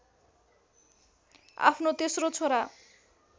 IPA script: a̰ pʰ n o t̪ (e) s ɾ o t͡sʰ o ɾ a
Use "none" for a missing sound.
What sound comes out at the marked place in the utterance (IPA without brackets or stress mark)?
e